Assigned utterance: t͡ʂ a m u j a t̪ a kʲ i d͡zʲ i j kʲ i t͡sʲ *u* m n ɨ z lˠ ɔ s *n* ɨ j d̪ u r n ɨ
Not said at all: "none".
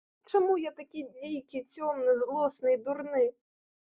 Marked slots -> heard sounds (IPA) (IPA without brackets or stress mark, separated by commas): ɔ, n